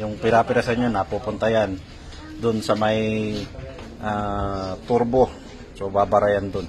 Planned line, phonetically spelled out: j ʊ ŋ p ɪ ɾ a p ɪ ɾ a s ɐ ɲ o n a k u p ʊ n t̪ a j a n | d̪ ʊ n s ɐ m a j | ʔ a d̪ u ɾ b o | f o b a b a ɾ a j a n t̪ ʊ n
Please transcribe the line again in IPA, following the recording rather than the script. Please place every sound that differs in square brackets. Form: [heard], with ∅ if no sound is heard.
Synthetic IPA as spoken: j ʊ ŋ p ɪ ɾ a p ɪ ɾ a s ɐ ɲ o n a [p] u p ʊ n t̪ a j a n | d̪ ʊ n s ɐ m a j | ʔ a [t̪] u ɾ b o | [s] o b a b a ɾ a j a n [d̪] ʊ n